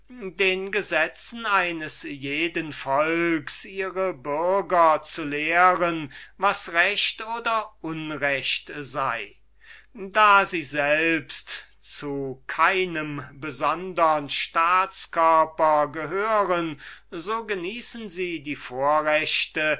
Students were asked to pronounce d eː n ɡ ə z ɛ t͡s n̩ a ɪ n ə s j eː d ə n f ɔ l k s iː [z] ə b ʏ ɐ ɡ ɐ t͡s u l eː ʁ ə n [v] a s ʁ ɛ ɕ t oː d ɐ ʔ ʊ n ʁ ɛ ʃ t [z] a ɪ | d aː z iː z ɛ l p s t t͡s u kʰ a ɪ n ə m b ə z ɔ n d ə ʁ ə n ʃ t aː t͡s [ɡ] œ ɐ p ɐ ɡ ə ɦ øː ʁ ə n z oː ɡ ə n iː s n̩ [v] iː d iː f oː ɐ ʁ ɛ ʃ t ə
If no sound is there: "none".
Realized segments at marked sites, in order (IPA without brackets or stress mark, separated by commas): ʁ, v, z, k, z